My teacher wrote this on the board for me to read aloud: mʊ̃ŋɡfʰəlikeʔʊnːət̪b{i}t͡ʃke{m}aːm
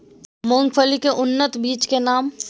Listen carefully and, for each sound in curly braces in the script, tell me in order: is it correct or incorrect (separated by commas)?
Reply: incorrect, incorrect